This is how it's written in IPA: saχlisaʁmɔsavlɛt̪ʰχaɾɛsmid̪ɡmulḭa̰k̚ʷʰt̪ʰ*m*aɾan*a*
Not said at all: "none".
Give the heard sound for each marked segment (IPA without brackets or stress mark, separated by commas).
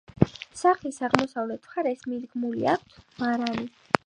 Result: m, i